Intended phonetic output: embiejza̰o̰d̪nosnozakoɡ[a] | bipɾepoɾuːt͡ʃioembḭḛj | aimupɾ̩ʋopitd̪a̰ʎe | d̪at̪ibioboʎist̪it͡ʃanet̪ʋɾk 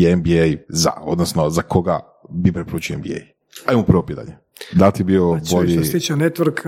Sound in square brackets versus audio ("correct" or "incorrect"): correct